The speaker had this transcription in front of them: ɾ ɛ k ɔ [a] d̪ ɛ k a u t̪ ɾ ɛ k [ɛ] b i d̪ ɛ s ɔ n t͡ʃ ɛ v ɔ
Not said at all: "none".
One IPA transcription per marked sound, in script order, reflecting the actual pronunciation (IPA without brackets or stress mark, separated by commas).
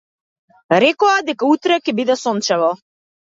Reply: a, ɛ